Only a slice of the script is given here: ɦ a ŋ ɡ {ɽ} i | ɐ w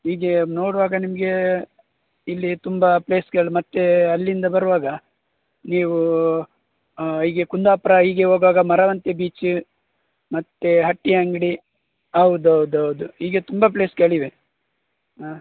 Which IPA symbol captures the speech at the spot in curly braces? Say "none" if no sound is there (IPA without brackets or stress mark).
ɽ